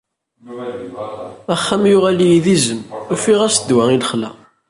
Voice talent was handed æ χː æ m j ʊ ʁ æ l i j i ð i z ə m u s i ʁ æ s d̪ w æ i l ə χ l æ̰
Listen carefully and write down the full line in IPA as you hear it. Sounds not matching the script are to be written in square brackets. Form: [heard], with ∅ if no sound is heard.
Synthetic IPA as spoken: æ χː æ m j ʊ ʁ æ l i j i ð i z ə m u [f] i ʁ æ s d̪ w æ i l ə χ l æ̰